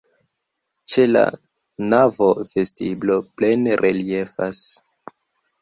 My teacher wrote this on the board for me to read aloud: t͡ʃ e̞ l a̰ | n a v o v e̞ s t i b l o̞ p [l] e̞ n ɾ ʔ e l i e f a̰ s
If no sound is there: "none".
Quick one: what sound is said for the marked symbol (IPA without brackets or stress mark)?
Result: l